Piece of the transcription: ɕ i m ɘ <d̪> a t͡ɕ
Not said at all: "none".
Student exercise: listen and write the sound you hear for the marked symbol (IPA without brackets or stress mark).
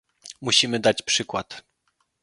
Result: d̪